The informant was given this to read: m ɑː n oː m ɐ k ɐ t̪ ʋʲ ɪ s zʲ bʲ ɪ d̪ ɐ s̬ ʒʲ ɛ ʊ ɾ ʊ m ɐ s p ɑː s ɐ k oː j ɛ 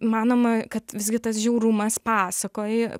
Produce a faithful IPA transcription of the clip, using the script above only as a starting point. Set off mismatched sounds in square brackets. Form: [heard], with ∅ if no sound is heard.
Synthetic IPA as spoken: m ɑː n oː m ɐ k ɐ t̪ ʋʲ ɪ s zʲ [ɡʲ] ɪ [t̪] ɐ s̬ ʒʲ ɛ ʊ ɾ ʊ m ɐ s p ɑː s ɐ k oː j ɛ